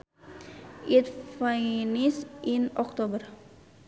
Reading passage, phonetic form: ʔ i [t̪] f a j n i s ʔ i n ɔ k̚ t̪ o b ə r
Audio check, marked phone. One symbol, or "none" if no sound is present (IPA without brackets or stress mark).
t̪